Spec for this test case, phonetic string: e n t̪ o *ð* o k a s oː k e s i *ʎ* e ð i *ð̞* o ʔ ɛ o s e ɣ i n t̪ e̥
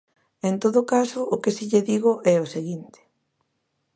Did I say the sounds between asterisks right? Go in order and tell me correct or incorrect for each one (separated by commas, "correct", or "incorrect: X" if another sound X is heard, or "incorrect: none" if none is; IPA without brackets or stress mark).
correct, correct, incorrect: ɣ̞